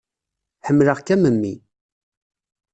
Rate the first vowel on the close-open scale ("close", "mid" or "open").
mid